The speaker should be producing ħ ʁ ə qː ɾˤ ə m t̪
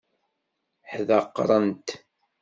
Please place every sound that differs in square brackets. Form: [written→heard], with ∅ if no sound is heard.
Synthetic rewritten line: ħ [ʁ→ð] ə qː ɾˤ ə [m→n] t̪